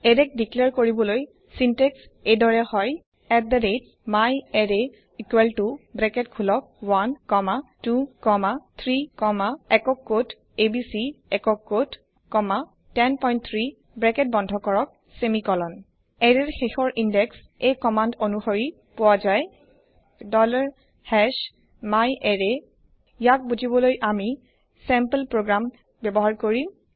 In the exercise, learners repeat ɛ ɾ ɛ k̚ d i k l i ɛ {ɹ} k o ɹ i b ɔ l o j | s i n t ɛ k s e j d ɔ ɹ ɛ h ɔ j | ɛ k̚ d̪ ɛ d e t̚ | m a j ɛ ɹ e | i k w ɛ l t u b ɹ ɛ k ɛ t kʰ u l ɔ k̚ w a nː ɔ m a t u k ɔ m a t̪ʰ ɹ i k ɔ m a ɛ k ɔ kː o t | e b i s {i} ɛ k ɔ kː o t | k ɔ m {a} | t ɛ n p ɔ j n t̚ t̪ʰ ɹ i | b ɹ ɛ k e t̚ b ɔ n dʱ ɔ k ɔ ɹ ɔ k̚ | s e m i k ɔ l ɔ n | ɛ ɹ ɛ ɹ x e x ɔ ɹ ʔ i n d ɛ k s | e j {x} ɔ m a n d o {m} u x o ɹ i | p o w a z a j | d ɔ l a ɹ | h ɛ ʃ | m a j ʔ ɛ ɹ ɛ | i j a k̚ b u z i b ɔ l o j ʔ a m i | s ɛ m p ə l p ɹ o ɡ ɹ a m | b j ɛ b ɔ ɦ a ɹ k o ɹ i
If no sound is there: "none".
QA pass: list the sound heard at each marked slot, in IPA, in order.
ɹ, i, a, k, n

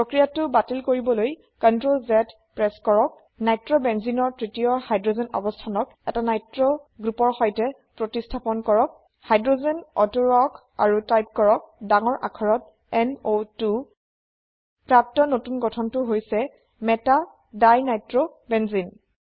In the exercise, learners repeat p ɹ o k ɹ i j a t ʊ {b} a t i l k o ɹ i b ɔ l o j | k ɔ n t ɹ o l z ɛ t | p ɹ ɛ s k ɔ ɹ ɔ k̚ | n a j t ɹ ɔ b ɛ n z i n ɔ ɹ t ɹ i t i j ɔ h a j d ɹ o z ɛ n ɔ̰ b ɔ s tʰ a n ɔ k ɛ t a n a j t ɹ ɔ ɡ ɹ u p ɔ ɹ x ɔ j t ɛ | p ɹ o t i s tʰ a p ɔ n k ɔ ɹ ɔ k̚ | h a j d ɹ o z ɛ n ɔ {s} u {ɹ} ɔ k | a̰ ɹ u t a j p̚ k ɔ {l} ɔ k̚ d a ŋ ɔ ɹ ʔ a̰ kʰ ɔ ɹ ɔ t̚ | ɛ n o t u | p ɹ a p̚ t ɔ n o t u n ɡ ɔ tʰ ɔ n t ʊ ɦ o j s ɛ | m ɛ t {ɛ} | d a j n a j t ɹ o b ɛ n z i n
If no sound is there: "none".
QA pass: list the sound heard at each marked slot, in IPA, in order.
b, t, ɹ, ɹ, a

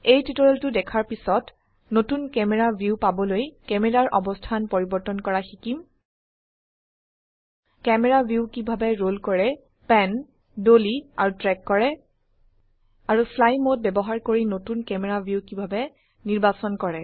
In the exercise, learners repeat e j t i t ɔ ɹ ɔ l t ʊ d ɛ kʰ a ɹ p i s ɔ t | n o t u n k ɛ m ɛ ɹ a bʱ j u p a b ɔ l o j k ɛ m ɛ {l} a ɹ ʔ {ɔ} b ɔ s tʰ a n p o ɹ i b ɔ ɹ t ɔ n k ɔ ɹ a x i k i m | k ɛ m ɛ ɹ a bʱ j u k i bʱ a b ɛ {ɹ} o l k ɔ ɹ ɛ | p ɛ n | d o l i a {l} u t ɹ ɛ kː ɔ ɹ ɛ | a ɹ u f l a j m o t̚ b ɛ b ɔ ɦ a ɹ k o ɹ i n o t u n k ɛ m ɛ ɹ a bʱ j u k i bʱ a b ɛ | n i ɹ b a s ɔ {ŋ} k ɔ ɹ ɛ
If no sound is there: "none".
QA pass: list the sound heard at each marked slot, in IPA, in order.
ɹ, ɔ, ɹ, ɹ, n

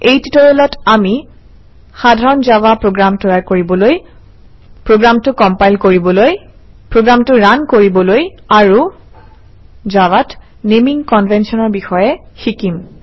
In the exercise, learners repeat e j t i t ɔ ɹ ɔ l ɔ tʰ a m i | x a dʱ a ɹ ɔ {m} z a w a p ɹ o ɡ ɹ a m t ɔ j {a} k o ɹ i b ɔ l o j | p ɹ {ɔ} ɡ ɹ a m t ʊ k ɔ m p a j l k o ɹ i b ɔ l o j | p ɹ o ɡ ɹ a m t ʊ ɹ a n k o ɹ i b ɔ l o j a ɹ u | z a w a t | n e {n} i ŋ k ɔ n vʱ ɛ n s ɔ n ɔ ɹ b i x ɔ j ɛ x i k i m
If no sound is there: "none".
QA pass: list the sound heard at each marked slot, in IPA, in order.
n, a, o, m

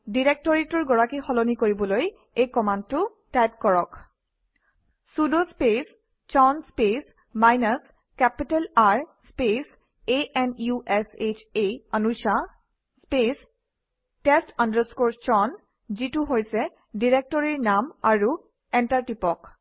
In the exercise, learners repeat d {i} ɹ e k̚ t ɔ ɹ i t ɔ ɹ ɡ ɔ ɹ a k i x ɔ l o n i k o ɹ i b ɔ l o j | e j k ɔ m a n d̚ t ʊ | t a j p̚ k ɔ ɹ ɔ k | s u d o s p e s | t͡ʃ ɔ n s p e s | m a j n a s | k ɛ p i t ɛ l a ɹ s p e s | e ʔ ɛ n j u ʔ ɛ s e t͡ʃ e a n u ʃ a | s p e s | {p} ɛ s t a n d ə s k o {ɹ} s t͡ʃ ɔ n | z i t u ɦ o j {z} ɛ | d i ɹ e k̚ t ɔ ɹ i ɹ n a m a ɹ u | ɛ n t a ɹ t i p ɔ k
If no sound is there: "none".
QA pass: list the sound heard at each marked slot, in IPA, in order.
i, t, ɹ, s

